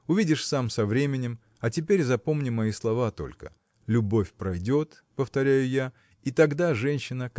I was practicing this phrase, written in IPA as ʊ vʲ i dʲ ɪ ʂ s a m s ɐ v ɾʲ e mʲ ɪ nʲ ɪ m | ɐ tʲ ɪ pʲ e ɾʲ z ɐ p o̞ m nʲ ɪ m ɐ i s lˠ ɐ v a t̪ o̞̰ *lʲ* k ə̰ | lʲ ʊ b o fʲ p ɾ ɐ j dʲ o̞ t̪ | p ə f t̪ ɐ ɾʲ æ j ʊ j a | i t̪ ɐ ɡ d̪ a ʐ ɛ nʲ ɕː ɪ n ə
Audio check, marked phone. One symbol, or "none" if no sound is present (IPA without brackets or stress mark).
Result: lʲ